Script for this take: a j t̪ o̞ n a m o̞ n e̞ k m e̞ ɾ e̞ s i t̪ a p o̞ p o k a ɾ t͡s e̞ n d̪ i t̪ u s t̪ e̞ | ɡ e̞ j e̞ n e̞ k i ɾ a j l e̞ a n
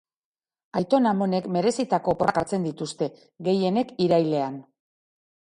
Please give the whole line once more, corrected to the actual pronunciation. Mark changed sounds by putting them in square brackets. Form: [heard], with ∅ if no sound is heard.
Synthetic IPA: a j t̪ o̞ n a m o̞ n e̞ k m e̞ ɾ e̞ s i t̪ a [k] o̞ p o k a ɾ t͡s e̞ n d̪ i t̪ u s t̪ e̞ | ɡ e̞ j e̞ n e̞ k i ɾ a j l e̞ a n